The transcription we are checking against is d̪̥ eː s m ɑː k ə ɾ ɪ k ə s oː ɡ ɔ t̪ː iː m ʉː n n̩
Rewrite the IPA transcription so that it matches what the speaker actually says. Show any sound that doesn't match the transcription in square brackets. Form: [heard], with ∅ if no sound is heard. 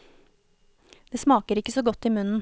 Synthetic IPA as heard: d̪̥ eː s m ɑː k ə ɾ ɪ k ə s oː ɡ ɔ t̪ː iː m [ʉ] n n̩